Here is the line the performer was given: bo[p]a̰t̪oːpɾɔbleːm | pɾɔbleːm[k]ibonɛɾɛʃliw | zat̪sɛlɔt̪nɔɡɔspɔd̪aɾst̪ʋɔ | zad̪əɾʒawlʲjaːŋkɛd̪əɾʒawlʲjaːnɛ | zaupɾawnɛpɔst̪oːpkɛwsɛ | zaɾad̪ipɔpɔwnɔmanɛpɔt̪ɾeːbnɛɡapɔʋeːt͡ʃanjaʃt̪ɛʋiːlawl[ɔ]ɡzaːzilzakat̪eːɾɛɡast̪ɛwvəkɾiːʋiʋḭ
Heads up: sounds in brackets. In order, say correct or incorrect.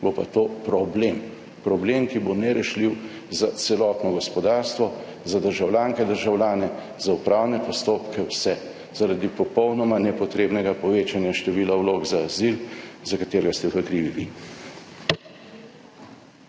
correct, correct, incorrect: o

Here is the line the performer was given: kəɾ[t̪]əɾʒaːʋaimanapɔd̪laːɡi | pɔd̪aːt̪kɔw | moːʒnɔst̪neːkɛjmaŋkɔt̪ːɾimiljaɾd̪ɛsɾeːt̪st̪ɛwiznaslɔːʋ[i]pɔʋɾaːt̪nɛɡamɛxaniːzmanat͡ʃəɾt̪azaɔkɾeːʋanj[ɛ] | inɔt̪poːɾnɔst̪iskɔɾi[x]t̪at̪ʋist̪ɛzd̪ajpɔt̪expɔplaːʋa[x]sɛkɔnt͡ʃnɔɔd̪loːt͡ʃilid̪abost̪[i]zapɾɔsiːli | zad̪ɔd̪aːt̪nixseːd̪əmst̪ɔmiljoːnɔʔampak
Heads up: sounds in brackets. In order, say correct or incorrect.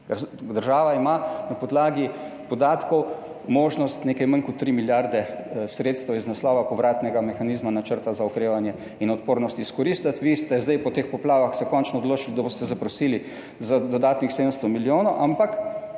incorrect: d̪, incorrect: a, correct, incorrect: s, correct, incorrect: ɛ

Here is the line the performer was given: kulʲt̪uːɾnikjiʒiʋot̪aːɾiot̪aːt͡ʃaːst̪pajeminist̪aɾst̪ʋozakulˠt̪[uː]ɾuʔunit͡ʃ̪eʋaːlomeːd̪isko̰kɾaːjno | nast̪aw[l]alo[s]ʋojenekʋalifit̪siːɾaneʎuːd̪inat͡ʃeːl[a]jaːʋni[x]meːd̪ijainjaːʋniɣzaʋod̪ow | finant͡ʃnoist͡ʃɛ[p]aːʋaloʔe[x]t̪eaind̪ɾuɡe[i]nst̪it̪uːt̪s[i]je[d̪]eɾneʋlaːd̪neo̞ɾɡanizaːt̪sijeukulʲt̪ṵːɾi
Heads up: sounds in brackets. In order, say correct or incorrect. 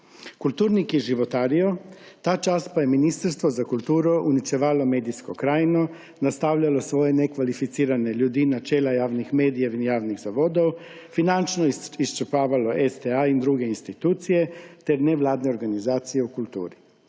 correct, incorrect: ʎ, correct, correct, correct, correct, incorrect: s, correct, correct, incorrect: t̪

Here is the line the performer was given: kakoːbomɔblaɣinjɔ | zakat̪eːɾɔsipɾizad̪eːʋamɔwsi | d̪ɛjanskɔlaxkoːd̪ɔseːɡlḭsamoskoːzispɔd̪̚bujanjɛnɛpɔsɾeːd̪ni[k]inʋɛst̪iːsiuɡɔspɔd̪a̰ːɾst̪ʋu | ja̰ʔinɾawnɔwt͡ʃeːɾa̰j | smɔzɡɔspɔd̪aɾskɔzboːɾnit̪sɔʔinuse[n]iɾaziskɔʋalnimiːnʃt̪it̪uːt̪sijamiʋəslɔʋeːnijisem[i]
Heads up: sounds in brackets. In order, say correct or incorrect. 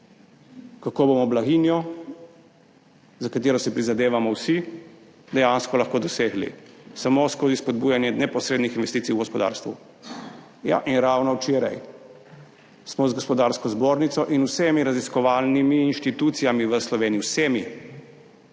incorrect: x, incorrect: m, correct

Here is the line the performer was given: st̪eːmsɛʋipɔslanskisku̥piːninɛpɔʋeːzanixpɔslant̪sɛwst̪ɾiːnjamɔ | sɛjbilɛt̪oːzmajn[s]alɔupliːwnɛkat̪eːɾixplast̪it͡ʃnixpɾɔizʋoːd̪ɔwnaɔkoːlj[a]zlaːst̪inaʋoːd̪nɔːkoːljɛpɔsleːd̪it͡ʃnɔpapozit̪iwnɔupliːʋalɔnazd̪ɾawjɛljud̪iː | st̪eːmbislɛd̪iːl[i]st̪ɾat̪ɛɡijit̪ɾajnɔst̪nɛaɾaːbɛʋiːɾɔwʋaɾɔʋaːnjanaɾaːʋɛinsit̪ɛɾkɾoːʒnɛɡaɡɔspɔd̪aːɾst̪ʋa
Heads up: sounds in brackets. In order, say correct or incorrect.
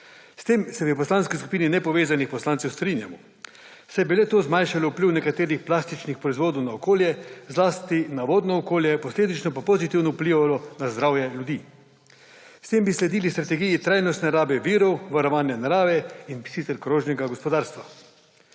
incorrect: ʃ, incorrect: ɛ, correct

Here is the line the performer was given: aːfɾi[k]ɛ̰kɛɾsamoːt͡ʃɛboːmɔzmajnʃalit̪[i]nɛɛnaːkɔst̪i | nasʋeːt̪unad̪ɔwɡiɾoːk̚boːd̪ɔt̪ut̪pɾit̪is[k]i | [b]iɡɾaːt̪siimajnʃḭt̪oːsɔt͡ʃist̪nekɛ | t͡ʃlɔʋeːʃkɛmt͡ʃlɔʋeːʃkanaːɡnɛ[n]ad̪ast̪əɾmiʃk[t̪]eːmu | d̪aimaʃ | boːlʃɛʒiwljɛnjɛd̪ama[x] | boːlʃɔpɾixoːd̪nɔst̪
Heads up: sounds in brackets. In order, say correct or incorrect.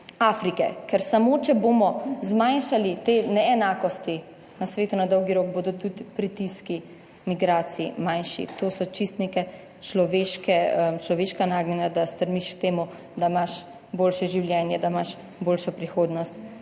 correct, incorrect: e, correct, incorrect: m, correct, correct, incorrect: ʃ

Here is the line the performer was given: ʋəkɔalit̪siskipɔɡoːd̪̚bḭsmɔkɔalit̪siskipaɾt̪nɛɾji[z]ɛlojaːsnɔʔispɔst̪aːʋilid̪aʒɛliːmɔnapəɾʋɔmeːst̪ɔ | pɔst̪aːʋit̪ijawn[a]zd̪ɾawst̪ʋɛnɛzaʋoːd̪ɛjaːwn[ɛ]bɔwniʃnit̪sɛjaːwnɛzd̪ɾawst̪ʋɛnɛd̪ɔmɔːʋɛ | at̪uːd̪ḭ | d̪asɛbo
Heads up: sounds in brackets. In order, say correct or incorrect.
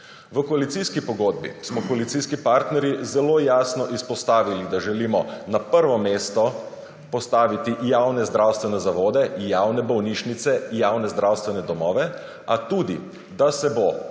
correct, incorrect: ɛ, correct

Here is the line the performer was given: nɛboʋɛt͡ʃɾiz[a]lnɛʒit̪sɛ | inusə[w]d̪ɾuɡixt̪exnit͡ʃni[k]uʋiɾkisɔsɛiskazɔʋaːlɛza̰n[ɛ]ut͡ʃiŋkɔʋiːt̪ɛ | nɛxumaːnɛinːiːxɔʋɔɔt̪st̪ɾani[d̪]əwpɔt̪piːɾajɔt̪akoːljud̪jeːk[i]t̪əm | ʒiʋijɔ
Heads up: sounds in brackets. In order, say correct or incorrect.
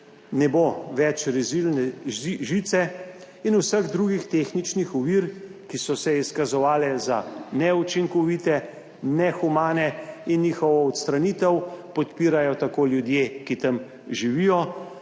incorrect: i, incorrect: ɣ, incorrect: x, correct, incorrect: t̪, correct

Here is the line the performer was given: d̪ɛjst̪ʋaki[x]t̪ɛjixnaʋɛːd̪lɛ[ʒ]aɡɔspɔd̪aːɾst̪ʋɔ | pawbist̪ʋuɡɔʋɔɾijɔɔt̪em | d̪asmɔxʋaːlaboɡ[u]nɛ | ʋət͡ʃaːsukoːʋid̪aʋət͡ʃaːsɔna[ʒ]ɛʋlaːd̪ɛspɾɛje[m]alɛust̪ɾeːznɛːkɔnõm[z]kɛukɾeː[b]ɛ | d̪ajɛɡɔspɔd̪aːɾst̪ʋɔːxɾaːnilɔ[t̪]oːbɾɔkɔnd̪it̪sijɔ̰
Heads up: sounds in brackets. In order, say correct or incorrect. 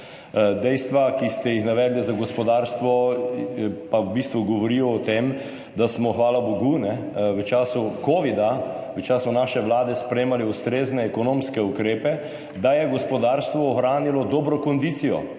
incorrect: s, incorrect: z, correct, incorrect: ʃ, correct, incorrect: s, incorrect: p, incorrect: d̪

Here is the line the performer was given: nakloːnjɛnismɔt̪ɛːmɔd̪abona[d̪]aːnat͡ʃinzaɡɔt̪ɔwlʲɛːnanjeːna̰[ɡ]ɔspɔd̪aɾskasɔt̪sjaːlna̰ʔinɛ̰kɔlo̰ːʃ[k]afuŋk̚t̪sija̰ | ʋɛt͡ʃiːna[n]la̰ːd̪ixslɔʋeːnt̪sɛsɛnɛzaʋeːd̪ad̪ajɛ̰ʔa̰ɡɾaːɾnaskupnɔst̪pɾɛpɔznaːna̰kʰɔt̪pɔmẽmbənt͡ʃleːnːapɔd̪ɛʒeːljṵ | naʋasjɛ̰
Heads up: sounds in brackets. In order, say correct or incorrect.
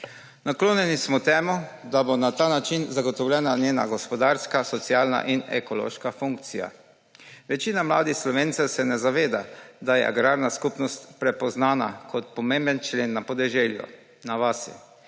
incorrect: t̪, correct, correct, incorrect: m

